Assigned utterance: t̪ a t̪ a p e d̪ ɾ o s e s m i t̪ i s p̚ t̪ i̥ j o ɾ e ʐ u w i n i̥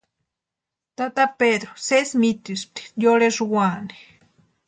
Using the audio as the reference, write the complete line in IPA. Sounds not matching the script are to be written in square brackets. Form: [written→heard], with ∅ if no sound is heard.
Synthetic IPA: t̪ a t̪ a p e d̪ ɾ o s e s m i t̪ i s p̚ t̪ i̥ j o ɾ e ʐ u w [i→a] n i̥

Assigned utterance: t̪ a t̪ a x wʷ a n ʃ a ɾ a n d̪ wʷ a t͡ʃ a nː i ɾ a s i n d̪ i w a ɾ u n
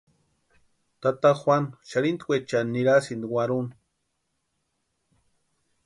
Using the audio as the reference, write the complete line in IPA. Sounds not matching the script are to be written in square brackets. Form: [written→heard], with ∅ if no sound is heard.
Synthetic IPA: t̪ a t̪ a x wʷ a n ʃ a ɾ [a→i] n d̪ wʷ [a→e] t͡ʃ a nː i ɾ a s i n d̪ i w a ɾ u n

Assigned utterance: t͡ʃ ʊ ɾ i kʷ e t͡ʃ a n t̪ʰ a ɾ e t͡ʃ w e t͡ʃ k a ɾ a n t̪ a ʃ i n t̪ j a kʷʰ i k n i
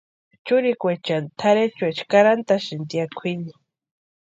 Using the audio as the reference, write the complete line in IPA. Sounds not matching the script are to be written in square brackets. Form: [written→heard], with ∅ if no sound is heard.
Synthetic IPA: t͡ʃ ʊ ɾ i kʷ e t͡ʃ a n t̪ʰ a ɾ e t͡ʃ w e t͡ʃ k a ɾ a n t̪ a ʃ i n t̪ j a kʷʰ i [k→∅] n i

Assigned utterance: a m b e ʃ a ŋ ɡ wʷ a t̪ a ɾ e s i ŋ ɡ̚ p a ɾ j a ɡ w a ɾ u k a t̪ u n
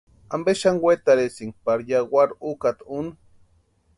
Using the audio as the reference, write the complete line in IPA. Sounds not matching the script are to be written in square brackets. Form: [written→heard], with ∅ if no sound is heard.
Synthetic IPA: a m b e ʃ a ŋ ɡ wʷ [a→e] t̪ a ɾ e s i ŋ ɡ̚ p a ɾ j a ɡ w a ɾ u k a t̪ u n

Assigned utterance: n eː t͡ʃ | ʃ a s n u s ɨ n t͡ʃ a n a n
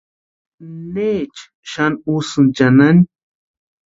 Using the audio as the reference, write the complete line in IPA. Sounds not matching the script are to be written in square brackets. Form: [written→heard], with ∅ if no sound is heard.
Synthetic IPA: n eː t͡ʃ | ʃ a [s→∅] n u s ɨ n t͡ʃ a n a n

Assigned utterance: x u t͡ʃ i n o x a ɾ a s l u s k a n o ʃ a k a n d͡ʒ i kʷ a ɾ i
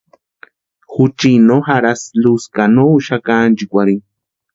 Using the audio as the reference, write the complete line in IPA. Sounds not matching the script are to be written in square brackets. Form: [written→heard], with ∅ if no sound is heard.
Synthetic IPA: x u t͡ʃ i n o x a ɾ a s l u s k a n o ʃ a k a n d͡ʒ i kʷ a ɾ i

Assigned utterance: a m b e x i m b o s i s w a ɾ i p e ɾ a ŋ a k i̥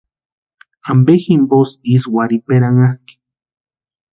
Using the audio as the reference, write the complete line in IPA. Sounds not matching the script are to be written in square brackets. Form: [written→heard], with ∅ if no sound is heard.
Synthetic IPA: a m b e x i m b o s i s w a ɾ i p e ɾ a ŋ a k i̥

